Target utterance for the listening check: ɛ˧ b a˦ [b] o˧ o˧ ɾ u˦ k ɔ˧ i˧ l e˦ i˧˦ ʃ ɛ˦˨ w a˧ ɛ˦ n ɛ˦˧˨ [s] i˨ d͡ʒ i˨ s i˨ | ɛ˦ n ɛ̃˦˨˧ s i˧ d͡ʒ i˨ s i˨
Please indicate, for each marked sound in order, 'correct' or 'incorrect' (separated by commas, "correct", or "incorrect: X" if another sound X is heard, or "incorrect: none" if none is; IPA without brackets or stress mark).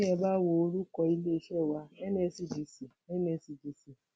incorrect: w, correct